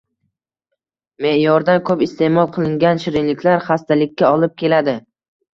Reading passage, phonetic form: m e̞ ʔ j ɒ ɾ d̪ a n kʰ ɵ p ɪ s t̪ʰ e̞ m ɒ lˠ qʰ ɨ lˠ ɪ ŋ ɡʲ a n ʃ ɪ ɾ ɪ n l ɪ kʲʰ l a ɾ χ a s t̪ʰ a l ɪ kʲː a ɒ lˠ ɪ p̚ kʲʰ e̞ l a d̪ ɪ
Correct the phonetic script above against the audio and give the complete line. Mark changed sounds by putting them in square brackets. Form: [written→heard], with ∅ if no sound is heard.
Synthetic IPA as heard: m e̞ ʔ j ɒ ɾ d̪ a n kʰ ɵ p ɪ s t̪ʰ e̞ m ɒ lˠ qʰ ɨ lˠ ɪ ŋ ɡʲ a n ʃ ɪ ɾ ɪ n l ɪ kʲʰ l a ɾ χ a s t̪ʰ a l ɪ kʲː a ɒ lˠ ɪ p̚ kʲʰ e̞ l a d̪ ɪ